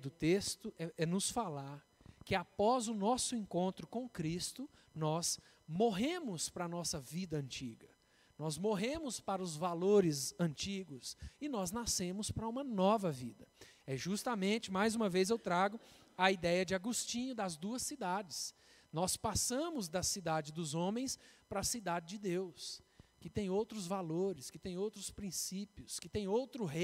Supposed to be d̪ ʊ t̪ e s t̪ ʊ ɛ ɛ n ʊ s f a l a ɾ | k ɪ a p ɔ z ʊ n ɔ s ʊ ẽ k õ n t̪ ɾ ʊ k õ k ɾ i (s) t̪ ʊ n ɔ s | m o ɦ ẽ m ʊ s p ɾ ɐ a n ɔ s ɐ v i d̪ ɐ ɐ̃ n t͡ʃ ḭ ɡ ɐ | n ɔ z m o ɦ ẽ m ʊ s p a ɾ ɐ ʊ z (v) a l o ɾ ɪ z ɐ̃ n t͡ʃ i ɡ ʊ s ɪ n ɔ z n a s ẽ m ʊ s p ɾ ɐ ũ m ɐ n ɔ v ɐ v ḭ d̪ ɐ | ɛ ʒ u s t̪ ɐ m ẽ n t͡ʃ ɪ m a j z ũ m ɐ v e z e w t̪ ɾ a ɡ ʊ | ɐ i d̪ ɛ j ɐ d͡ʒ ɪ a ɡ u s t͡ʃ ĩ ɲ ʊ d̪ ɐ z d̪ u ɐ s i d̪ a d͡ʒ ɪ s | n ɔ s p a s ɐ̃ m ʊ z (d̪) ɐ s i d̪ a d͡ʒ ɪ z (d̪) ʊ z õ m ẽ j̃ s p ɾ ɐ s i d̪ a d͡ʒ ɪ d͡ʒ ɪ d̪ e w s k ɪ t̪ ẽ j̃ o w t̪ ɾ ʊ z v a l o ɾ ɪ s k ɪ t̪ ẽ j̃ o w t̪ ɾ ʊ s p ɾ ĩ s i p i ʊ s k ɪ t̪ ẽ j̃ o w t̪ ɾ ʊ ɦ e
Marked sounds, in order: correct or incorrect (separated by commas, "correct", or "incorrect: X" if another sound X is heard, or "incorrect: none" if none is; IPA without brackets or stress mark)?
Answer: correct, correct, correct, correct